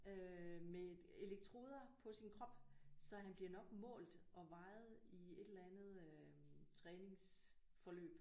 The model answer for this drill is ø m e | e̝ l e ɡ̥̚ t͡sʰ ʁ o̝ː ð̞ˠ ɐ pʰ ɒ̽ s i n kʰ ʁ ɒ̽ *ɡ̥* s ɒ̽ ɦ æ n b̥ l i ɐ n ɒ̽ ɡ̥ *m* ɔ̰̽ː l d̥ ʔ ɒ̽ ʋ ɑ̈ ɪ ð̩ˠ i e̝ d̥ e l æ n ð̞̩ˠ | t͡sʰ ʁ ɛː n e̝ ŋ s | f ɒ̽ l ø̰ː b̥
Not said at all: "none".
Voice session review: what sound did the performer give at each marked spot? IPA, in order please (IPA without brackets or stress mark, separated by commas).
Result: b̥, m